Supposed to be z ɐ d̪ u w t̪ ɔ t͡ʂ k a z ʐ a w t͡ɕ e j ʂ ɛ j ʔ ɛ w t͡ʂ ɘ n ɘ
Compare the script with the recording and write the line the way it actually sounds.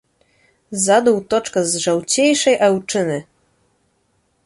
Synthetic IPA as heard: z a d̪ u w t̪ ɔ t͡ʂ k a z ʐ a w t͡ɕ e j ʂ ɛ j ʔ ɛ w t͡ʂ ɘ n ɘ